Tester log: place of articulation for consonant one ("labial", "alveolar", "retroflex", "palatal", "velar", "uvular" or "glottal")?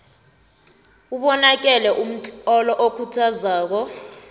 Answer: labial